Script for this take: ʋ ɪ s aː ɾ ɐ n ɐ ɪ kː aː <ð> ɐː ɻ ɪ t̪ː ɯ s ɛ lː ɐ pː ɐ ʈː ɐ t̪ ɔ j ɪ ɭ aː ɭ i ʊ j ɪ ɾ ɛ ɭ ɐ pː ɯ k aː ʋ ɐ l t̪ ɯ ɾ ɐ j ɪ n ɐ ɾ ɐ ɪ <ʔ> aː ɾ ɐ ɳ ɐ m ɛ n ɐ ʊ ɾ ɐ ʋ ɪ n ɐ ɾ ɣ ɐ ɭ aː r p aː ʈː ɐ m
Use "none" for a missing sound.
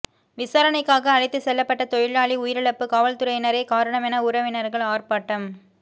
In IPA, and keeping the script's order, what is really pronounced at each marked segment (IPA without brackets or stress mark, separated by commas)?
ɣ, k